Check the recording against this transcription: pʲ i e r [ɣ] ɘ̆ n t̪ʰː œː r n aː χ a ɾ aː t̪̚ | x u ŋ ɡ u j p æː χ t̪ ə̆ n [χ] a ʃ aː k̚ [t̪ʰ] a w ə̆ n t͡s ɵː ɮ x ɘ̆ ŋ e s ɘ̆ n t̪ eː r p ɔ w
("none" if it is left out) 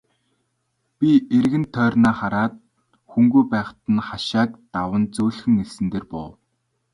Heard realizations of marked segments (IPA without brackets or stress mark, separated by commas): ɣ, χ, t̪